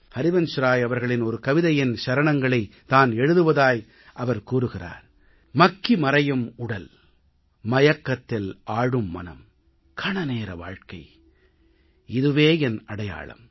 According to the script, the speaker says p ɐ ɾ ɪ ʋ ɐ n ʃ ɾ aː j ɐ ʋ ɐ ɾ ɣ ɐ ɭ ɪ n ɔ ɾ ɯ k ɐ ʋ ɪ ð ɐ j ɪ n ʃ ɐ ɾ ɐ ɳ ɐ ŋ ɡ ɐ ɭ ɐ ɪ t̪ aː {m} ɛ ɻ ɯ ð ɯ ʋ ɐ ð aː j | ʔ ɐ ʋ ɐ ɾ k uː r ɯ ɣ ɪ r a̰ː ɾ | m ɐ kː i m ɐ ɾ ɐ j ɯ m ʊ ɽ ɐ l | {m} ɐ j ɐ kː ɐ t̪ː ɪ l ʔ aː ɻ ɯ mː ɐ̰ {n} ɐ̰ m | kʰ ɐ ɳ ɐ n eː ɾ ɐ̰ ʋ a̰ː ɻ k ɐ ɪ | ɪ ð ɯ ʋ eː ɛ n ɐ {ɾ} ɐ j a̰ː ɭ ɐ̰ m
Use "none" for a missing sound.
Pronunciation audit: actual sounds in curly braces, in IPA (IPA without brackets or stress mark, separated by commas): n, m, n, ɽ